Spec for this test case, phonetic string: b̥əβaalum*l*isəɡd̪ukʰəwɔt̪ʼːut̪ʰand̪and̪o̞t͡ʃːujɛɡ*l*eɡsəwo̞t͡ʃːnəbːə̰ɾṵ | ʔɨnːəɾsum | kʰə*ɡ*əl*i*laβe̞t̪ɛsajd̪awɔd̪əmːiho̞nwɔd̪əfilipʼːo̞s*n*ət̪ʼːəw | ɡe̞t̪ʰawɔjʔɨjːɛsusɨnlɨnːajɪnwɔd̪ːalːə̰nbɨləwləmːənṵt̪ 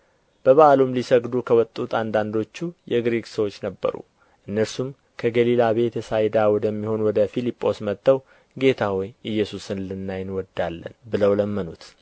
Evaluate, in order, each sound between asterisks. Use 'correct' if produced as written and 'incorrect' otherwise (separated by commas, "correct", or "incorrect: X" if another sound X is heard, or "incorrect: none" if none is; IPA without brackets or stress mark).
correct, incorrect: ɾ, correct, correct, incorrect: m